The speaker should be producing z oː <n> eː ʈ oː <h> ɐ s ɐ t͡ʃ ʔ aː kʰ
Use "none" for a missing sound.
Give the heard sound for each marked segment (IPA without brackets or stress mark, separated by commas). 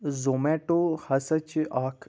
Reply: m, h